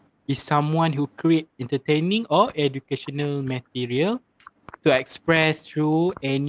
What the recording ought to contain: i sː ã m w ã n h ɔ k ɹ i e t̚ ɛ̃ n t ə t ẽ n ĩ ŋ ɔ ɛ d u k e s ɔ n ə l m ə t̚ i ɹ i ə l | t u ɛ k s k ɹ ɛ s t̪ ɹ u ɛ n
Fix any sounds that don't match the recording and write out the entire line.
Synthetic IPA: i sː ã m w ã n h u k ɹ i e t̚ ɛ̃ n t ə t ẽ n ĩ ŋ ɔ ɛ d u k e ʃ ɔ n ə l m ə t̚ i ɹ i ə l | t u ɛ k s p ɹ ɛ s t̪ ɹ u ɛ n